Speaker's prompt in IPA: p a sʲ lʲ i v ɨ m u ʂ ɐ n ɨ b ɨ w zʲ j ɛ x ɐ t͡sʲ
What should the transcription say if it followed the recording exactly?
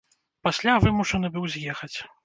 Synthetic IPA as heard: p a sʲ lʲ a v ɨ m u ʂ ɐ n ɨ b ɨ w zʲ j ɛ x ɐ t͡sʲ